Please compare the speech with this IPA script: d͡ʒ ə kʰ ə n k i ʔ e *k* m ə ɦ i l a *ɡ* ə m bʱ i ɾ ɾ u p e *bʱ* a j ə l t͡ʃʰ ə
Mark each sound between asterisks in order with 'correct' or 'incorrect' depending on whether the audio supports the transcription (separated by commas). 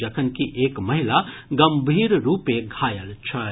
correct, correct, incorrect